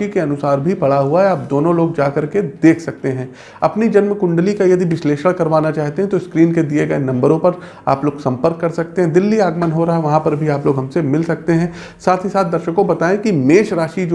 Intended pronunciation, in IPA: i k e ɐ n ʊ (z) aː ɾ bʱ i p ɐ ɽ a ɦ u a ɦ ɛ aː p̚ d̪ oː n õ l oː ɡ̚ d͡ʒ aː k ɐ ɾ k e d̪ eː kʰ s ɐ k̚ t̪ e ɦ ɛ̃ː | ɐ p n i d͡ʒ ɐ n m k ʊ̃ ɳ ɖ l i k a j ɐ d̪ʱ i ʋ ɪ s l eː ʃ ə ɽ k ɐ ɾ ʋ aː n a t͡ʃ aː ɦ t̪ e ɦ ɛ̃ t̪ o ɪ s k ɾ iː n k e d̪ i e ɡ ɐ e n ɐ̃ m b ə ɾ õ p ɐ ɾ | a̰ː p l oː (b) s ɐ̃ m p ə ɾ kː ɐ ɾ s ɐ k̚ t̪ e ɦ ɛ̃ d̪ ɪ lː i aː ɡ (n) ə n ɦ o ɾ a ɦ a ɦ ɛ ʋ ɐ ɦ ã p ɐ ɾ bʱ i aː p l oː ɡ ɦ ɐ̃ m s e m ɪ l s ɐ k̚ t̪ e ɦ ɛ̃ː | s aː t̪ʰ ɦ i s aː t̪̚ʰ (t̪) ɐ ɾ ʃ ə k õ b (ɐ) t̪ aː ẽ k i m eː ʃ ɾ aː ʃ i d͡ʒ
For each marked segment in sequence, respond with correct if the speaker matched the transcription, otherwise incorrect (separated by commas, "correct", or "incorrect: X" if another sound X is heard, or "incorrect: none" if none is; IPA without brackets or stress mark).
incorrect: s, incorrect: ɡ, incorrect: m, incorrect: d̪, correct